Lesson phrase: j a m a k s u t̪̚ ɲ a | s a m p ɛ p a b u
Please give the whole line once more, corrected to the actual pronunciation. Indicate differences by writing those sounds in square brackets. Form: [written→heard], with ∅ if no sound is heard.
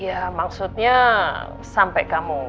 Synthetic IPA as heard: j a m a k s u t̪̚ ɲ a | s a m p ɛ [p→k] a [b→m] u